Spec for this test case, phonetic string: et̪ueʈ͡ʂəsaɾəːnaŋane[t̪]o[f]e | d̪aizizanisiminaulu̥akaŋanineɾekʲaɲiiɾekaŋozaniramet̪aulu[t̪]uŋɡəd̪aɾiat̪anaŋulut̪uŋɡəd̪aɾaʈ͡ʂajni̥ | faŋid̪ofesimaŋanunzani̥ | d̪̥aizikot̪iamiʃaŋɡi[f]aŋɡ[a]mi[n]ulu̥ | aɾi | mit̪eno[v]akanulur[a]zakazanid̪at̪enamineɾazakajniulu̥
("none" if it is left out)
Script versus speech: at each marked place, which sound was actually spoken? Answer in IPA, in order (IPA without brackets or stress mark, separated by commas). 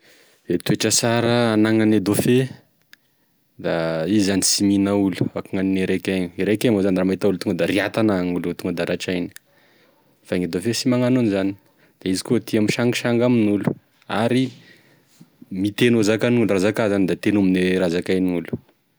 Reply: d̪, f, t̪, ʃ, a, n, z, a